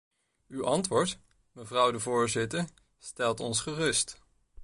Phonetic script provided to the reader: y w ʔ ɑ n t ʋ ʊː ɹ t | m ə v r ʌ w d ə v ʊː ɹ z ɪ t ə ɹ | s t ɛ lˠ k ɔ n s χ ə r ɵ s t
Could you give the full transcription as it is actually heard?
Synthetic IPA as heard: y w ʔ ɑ n t ʋ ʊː ɹ t | m ə v r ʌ w d ə v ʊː ɹ z ɪ t ə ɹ | s t ɛ lˠ t ɔ n s χ ə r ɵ s t